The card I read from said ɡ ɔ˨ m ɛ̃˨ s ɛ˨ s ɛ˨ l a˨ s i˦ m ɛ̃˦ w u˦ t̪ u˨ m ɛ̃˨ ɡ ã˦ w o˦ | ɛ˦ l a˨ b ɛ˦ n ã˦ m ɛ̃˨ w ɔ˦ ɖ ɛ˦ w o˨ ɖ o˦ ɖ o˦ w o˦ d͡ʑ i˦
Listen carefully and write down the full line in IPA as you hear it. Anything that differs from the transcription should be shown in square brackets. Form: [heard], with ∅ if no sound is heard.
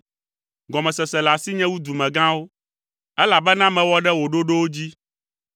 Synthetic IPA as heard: ɡ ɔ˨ m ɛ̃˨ s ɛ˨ s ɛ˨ l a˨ s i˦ [ɲ] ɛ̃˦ w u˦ [d̪] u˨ m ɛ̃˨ ɡ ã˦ w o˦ | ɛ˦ l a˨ b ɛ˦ n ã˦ m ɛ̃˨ w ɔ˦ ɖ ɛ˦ w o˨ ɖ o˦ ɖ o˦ w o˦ d͡ʑ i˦